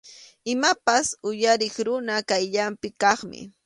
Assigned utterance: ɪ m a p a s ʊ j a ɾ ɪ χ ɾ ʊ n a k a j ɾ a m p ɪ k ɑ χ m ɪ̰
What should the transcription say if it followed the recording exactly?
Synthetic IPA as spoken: ɪ m a p a s ʊ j a ɾ ɪ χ ɾ ʊ n a k a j ʎ a m p ɪ k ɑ χ m ɪ̰